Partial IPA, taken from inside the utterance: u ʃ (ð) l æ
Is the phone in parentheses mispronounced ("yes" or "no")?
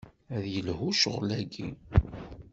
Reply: yes